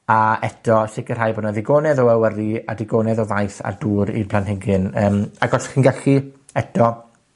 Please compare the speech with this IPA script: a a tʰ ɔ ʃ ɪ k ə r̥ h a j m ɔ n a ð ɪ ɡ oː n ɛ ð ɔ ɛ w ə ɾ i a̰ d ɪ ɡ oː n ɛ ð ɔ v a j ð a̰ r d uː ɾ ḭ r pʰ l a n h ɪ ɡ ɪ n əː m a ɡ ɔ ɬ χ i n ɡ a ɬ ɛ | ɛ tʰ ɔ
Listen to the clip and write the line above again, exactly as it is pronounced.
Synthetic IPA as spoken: a ɛ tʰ ɔ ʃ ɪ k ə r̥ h a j b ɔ n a ð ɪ ɡ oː n ɛ ð ɔ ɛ w ə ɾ i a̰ d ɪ ɡ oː n ɛ ð ɔ v a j θ a̰ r d uː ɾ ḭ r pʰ l a n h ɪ ɡ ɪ n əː m a ɡ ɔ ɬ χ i n ɡ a ɬ i | ɛ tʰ ɔ